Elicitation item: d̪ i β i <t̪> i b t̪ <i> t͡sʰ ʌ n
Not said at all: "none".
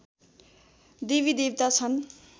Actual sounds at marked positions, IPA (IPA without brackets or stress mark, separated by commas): d̪, a